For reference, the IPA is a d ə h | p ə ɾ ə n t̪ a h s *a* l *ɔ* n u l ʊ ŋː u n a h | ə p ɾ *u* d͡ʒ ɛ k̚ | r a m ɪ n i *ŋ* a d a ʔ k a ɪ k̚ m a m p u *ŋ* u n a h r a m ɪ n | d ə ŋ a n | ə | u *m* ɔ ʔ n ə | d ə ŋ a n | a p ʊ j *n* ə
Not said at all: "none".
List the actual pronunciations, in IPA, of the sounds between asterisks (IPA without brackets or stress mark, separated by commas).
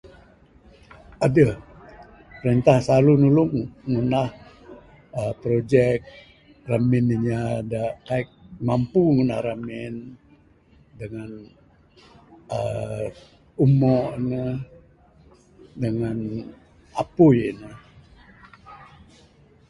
a, u, o, ɲ, ŋ, m, n